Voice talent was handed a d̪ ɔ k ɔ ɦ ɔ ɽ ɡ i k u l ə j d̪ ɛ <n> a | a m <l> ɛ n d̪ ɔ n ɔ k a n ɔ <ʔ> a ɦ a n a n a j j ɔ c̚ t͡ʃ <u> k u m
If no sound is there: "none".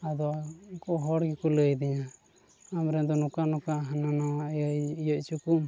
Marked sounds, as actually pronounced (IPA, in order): ɲ, ɾ, k, u

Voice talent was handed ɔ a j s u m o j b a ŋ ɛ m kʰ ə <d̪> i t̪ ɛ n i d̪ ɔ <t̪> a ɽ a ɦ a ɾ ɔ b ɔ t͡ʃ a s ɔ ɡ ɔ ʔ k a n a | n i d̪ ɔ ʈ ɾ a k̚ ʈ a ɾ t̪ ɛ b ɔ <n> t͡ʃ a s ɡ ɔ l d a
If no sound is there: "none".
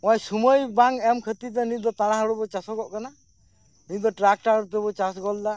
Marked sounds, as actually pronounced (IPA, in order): t̪, t̪, none

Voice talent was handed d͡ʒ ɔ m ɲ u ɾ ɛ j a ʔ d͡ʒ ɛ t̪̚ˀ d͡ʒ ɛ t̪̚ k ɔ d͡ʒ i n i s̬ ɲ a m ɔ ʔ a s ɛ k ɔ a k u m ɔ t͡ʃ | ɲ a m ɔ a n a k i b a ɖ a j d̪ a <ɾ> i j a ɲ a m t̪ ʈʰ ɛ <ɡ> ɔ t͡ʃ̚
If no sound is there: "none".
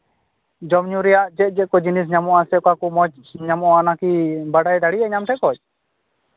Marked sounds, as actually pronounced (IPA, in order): ɽ, k

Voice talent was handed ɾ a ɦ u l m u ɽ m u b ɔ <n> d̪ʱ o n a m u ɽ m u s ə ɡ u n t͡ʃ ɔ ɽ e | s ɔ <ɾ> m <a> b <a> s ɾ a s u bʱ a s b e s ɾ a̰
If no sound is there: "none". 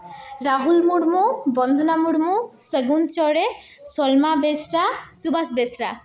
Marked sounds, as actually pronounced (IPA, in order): n, l, a, e

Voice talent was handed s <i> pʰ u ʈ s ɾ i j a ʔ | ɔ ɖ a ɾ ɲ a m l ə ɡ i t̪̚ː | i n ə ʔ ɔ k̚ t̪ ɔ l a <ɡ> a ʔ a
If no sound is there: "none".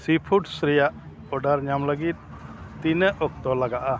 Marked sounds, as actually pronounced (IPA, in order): i, ɡ

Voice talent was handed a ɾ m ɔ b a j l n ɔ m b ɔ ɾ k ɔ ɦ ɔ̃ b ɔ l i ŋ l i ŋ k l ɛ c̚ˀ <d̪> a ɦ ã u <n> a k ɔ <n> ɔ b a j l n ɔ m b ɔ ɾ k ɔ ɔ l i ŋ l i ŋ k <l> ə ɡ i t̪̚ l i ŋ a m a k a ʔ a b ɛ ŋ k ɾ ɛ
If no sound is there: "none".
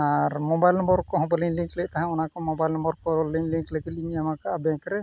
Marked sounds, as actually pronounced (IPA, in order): t̪, n, m, l

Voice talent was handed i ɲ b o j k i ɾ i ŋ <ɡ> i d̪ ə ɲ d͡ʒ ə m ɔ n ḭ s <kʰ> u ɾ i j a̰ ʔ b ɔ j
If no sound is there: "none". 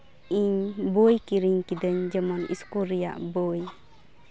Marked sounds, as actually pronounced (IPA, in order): k, k

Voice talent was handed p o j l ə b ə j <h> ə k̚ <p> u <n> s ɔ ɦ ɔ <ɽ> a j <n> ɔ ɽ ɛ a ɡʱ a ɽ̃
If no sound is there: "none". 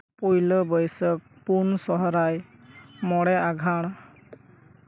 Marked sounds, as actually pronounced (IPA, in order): s, p, n, ɾ, m

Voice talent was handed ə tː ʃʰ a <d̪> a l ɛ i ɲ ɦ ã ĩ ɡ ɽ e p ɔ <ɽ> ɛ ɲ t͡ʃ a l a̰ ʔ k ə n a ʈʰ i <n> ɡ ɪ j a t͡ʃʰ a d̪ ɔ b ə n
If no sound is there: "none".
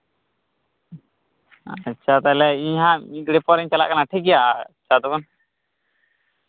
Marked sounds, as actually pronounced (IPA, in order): t̪, ɾ, none

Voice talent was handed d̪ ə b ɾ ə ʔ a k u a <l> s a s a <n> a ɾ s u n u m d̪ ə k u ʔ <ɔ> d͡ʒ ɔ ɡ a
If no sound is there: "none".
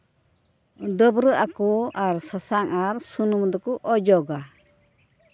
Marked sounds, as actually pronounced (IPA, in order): ɾ, ŋ, ɔ

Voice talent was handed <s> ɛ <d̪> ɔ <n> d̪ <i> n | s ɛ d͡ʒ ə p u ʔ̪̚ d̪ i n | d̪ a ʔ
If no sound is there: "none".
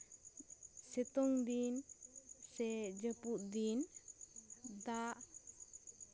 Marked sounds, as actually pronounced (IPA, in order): s, t̪, ŋ, i

